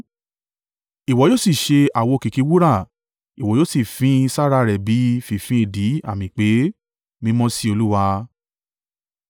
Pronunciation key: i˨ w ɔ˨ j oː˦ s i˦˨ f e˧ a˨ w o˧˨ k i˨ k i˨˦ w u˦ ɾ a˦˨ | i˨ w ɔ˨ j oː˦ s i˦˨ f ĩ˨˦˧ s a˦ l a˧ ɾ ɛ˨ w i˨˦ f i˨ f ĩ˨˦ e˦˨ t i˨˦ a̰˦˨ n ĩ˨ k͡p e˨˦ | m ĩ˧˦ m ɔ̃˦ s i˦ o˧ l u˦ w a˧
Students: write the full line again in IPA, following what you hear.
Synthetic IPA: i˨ w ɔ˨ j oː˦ s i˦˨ ʃ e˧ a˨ w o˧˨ k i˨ k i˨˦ w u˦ ɾ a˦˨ | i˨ w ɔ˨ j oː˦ s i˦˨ f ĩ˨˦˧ s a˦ ɾ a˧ ɾ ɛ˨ b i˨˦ f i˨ f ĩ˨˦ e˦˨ d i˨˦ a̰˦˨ m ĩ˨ k͡p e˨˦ | m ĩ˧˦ m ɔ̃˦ s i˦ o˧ l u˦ w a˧